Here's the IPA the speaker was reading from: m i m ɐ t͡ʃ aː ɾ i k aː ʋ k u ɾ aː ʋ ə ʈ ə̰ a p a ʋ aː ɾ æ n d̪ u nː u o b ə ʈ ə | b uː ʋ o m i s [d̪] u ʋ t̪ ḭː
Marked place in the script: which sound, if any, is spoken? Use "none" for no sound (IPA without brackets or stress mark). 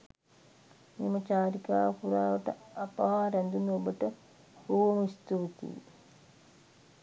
t̪